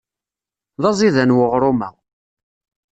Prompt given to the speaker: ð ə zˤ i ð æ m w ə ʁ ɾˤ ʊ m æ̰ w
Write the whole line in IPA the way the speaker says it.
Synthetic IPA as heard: ð ɑ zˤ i ð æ n w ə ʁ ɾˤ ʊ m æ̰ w